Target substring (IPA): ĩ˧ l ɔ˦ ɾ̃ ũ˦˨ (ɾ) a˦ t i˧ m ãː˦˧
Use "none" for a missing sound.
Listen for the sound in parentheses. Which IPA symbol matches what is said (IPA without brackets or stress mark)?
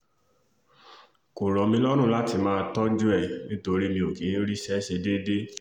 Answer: l